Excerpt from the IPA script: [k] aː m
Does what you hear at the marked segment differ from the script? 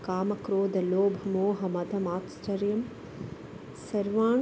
no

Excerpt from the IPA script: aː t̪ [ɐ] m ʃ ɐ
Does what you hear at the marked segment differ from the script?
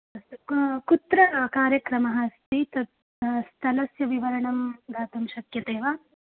no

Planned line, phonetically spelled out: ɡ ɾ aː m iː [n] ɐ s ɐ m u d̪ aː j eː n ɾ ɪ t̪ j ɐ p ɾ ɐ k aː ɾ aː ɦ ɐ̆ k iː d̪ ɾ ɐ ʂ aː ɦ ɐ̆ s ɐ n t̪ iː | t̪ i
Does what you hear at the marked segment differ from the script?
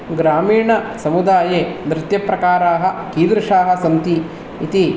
yes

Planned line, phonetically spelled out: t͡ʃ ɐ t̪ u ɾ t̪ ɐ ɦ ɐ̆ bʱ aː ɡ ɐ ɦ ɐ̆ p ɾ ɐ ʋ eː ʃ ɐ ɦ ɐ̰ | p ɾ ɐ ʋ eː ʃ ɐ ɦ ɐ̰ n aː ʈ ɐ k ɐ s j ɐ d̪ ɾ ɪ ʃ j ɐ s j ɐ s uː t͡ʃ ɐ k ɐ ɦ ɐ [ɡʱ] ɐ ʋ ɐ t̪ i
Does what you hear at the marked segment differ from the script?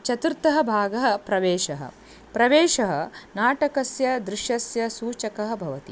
yes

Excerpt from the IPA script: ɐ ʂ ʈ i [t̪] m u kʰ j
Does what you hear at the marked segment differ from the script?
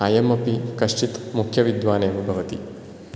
no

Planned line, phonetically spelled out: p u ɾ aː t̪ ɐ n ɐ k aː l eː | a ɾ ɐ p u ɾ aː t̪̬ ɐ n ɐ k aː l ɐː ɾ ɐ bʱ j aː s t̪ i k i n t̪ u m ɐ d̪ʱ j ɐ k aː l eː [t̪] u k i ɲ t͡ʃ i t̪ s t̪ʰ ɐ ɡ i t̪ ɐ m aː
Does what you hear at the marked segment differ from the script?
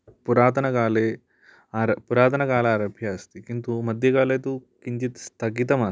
no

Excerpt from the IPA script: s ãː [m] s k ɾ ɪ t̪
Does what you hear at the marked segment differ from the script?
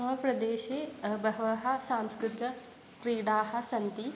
no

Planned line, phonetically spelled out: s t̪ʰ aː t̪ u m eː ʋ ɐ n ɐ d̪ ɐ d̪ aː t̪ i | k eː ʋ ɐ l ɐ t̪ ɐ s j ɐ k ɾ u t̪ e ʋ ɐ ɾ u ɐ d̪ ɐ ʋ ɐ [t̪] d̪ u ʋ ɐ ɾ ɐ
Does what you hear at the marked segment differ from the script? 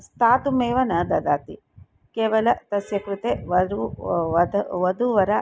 yes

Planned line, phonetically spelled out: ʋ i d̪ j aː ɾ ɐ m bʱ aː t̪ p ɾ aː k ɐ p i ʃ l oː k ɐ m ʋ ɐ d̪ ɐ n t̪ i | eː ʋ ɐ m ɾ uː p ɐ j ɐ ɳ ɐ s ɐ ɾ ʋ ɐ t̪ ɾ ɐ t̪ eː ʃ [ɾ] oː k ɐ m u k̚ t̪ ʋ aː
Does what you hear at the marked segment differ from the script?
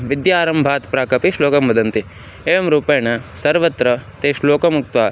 yes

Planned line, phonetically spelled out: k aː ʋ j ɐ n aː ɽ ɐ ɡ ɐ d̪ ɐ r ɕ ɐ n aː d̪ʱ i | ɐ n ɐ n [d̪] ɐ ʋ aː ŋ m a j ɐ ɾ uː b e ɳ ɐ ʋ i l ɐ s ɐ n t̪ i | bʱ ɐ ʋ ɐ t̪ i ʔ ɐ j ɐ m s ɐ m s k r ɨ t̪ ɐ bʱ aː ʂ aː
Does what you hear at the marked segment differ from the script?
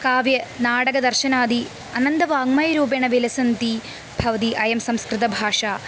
no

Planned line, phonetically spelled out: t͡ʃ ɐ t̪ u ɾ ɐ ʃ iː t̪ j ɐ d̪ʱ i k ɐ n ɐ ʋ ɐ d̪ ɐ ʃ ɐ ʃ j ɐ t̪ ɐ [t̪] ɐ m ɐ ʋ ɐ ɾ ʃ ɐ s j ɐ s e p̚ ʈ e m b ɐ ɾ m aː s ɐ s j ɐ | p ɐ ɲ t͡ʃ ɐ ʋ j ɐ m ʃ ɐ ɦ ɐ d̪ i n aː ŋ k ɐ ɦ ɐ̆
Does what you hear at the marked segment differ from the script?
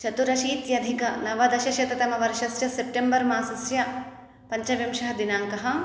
no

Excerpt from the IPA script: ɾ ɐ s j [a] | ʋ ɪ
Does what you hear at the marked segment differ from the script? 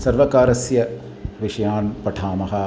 yes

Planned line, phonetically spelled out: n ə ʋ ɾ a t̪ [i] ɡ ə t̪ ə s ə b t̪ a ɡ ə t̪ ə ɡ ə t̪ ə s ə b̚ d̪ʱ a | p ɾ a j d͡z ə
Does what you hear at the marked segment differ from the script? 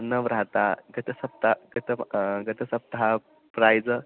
yes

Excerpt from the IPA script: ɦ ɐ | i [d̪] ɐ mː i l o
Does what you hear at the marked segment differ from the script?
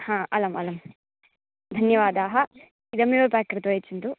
no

